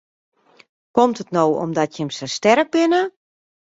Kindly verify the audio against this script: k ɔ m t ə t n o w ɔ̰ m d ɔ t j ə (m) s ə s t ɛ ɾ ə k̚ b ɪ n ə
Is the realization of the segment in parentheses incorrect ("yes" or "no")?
no